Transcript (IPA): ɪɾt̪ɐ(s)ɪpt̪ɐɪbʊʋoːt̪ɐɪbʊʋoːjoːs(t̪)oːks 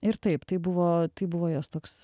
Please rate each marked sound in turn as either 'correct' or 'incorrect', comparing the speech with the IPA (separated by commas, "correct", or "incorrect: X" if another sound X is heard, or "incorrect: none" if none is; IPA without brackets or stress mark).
incorrect: none, correct